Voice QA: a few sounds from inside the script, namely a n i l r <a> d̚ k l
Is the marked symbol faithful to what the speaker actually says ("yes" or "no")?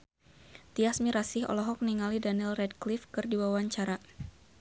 no